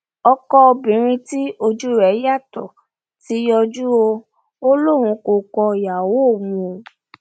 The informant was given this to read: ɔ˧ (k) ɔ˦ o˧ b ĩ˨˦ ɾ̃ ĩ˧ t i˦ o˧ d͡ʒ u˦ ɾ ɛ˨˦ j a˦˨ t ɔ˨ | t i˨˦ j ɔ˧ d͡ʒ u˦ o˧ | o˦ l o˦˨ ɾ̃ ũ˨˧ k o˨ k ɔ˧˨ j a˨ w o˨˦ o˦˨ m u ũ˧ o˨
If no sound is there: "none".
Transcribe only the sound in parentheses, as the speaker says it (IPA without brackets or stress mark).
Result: k